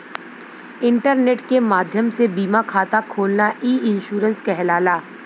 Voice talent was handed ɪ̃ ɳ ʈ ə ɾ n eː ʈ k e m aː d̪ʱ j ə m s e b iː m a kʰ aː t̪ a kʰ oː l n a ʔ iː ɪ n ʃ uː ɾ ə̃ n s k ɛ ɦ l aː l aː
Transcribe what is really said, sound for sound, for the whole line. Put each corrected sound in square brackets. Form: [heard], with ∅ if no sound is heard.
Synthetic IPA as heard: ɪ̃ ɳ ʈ ə ɾ n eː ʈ k e m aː d̪ʱ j ə m s e b iː m a kʰ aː t̪ a kʰ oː l n a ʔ iː ɪ n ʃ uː ɾ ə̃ n s k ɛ ɦ l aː l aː